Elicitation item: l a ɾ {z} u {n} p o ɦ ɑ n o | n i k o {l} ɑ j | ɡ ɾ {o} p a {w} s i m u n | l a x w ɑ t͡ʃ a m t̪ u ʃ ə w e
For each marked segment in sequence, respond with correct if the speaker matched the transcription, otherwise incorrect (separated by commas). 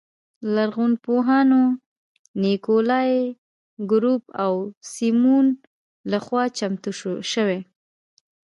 incorrect, correct, correct, incorrect, correct